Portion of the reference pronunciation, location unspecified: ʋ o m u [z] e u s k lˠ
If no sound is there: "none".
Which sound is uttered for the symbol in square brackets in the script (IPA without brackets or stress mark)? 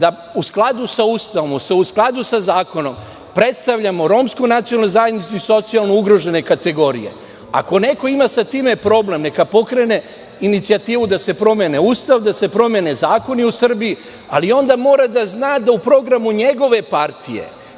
s